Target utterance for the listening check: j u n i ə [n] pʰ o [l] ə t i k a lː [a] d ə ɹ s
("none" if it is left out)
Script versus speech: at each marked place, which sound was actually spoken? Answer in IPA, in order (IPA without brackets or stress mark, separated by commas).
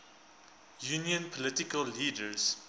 n, l, i